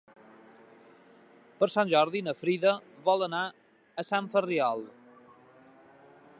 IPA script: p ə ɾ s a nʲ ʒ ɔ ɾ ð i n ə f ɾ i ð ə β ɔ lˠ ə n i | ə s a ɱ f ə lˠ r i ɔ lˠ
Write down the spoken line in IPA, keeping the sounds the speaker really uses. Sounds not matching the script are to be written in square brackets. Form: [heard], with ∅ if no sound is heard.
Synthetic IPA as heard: p ə ɾ s a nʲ ʒ ɔ ɾ ð i n ə f ɾ i ð ə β ɔ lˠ ə n [a] | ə s a ɱ f ə [∅] r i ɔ lˠ